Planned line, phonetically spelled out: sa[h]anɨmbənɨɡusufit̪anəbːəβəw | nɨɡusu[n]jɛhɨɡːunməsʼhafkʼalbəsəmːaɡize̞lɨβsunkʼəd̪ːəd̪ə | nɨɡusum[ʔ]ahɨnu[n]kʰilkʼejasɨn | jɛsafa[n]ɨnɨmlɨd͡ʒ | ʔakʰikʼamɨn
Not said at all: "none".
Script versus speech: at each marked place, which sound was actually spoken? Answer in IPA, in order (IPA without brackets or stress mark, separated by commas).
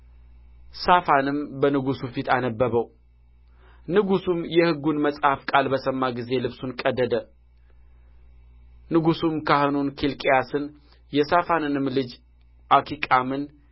f, m, k, n, n